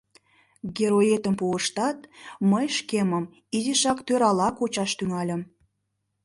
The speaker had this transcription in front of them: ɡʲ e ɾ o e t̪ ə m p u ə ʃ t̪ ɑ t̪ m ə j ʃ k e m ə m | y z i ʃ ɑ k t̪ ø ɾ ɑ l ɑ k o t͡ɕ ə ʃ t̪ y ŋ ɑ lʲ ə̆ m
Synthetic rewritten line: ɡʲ e ɾ o e t̪ ə m p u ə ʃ t̪ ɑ t̪ m ə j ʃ k e m ə m | i z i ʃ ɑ k t̪ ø ɾ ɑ l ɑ k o t͡ɕ ɑ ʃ t̪ y ŋ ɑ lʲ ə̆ m